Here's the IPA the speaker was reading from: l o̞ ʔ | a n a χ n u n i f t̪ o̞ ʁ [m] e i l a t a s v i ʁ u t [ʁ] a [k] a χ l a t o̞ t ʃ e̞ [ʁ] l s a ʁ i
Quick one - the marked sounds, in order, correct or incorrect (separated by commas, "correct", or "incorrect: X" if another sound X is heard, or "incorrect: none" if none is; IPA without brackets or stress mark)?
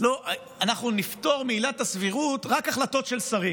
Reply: correct, correct, correct, incorrect: none